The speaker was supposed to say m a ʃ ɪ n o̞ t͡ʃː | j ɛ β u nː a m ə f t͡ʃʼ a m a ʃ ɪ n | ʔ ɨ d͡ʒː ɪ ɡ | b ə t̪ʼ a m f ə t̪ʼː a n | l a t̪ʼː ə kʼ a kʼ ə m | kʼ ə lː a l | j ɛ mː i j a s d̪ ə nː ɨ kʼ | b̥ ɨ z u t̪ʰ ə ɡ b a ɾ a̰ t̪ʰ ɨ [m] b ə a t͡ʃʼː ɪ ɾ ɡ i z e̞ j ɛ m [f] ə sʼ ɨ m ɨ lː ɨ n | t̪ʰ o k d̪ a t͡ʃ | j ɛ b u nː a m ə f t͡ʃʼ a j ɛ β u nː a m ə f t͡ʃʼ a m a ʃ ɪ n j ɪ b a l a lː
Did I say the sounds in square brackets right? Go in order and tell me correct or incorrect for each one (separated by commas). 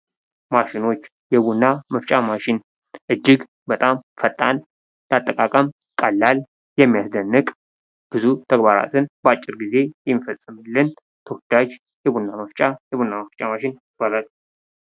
incorrect, correct